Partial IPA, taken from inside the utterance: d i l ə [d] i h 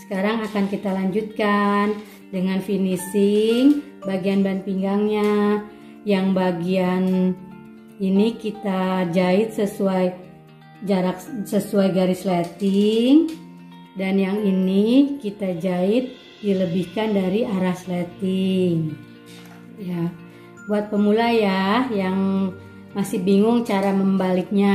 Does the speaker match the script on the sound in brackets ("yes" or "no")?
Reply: no